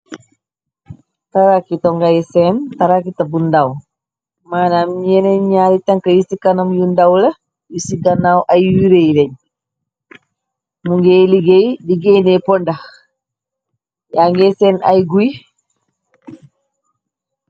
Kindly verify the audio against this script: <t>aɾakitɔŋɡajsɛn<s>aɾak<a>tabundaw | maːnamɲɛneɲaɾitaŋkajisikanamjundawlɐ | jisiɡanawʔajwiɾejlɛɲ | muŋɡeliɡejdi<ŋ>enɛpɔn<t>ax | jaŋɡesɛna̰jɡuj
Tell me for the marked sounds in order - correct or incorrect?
correct, incorrect: t, incorrect: i, incorrect: ɡ, incorrect: d

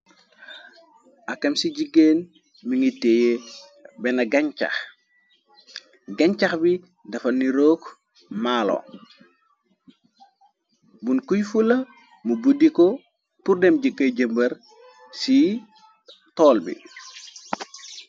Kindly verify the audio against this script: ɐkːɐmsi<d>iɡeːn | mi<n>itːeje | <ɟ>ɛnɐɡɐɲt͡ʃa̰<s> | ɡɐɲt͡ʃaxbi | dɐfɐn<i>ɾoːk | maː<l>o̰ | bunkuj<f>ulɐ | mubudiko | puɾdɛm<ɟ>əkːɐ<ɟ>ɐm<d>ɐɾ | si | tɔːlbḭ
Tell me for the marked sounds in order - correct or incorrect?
incorrect: ɟ, incorrect: ŋ, incorrect: b, incorrect: x, correct, correct, correct, correct, correct, incorrect: b

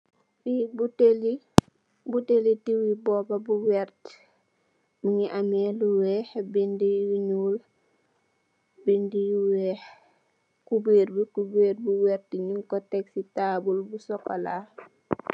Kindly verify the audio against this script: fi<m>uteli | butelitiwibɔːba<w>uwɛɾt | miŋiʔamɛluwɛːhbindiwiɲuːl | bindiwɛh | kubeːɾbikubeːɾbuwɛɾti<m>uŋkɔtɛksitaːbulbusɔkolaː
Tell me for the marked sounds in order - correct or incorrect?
incorrect: b, incorrect: b, incorrect: ɲ

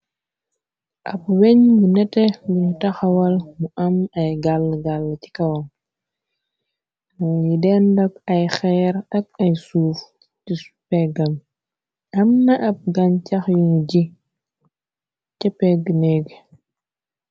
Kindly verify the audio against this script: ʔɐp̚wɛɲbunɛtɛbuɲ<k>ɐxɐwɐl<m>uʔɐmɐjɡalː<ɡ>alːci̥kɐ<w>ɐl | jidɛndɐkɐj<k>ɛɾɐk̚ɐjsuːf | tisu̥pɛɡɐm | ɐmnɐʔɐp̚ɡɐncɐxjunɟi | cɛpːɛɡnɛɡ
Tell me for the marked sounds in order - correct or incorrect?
incorrect: t, correct, correct, correct, incorrect: x

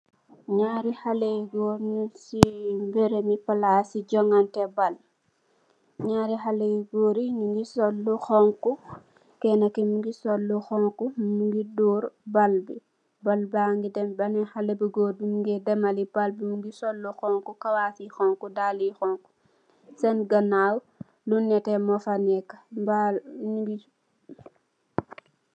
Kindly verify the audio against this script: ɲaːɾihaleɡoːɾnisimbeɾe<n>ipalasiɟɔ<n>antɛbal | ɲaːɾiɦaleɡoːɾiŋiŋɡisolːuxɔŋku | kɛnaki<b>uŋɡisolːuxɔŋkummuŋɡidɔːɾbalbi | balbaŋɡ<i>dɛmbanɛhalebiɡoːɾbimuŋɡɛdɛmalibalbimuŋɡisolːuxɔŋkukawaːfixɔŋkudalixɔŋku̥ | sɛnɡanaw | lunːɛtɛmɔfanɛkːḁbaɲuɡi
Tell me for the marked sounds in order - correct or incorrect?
incorrect: m, incorrect: ŋ, incorrect: m, correct

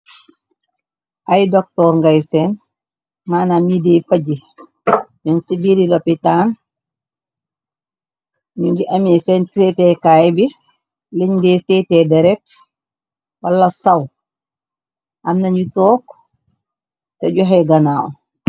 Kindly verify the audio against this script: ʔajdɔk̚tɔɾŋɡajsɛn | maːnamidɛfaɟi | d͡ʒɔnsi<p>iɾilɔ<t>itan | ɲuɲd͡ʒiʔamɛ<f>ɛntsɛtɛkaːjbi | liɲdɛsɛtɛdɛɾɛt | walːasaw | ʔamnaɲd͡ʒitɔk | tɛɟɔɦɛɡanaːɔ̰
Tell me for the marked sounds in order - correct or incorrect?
incorrect: b, incorrect: p, incorrect: s

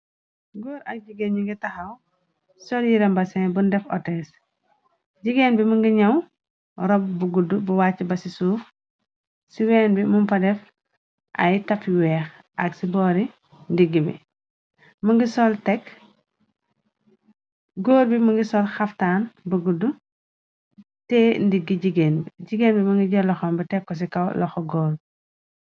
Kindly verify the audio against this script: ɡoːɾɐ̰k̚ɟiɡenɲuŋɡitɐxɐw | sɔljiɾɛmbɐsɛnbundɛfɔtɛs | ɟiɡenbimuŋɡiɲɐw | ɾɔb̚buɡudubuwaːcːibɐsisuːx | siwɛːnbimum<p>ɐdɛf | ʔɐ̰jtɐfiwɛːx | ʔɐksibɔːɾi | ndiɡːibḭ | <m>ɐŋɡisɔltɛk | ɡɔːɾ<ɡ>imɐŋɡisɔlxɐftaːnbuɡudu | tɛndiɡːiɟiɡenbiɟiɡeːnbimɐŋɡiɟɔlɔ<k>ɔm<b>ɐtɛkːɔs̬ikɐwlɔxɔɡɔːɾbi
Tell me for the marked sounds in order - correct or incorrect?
correct, correct, incorrect: b, incorrect: x, correct

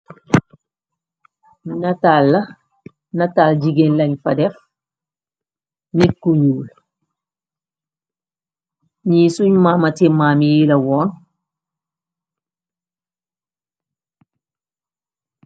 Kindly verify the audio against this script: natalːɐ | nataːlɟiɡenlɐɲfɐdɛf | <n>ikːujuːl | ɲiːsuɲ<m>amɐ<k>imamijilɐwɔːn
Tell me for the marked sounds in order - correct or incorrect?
correct, correct, incorrect: t

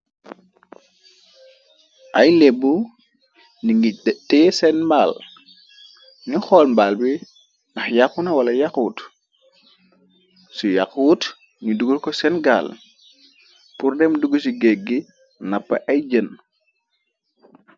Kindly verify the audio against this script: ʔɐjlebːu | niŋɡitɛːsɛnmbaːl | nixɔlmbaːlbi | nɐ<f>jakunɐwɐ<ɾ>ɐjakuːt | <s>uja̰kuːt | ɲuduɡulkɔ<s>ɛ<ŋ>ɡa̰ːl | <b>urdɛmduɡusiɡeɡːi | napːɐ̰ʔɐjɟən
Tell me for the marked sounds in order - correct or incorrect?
incorrect: x, incorrect: l, correct, correct, incorrect: n, incorrect: p

